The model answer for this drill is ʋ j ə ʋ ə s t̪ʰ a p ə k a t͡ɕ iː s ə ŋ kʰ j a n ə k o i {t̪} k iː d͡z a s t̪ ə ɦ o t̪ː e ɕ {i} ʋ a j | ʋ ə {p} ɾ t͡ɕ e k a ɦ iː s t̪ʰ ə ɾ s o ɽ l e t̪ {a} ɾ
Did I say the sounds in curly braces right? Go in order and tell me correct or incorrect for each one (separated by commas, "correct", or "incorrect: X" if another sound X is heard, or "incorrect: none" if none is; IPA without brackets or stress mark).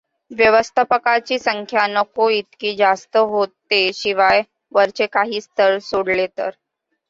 correct, correct, incorrect: none, incorrect: ə